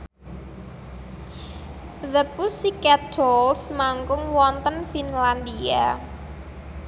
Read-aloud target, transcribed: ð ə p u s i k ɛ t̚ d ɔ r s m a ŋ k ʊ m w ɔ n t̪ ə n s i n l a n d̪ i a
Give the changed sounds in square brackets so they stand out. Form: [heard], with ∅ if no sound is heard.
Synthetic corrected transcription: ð ə p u s i k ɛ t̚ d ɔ [l] s m a ŋ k ʊ [ŋ] w ɔ n t̪ ə n [f] i n l a n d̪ i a